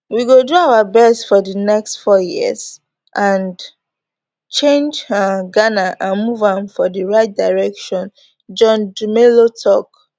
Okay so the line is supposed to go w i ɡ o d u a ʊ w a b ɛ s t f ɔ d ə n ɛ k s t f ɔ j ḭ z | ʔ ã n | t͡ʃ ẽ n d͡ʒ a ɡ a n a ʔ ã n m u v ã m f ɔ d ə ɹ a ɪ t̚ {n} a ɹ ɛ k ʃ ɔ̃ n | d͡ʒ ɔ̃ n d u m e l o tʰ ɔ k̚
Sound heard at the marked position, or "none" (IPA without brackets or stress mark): d